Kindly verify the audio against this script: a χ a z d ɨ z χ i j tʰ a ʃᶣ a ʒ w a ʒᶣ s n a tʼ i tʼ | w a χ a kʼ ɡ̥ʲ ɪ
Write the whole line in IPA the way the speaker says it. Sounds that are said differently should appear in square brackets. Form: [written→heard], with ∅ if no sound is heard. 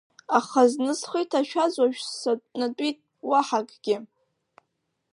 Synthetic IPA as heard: a χ a z [d→n] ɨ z χ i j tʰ a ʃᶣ a [ʒ→z] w a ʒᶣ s n a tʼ i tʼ | w a [χ→ħ] a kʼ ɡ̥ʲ ɪ